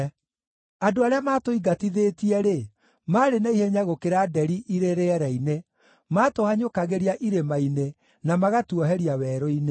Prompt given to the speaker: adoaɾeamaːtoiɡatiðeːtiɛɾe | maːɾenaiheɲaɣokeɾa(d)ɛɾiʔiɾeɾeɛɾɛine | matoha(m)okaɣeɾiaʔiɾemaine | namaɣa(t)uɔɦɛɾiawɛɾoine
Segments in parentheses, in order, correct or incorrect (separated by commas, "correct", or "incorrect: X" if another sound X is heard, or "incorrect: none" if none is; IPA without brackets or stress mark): correct, incorrect: ɲ, correct